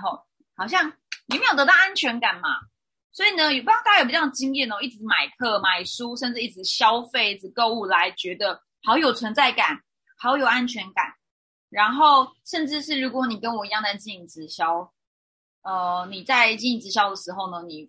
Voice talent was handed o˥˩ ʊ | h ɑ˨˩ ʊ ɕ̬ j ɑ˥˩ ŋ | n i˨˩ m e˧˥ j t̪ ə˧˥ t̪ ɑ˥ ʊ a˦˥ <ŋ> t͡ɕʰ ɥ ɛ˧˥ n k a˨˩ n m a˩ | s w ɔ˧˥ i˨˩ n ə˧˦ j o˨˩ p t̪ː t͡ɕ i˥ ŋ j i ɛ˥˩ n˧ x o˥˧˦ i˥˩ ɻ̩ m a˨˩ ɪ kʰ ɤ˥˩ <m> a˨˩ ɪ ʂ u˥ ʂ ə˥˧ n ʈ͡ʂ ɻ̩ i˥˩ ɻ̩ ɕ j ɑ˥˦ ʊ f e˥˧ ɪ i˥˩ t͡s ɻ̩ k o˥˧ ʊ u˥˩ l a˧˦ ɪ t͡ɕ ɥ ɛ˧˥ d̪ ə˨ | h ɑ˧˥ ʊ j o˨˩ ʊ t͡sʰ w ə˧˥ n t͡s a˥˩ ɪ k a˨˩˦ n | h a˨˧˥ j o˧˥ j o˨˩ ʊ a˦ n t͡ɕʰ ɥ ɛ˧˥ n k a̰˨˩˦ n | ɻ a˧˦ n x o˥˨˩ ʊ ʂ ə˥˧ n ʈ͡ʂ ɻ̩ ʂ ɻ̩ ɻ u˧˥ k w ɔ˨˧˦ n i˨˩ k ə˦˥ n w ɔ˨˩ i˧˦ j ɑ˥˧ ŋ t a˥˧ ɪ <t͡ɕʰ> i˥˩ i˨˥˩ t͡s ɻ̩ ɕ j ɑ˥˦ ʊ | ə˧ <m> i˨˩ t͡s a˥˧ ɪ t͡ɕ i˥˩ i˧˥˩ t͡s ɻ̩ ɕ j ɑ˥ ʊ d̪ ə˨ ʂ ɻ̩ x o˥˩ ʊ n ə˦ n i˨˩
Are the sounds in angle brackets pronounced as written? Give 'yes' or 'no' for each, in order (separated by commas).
no, yes, no, no